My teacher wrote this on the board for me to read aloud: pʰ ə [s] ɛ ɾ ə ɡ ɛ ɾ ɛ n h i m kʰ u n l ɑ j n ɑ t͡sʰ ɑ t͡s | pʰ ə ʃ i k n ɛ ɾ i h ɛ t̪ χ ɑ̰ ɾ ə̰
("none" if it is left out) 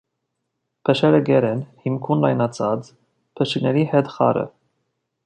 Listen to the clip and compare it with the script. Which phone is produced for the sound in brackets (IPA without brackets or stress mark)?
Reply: ʃ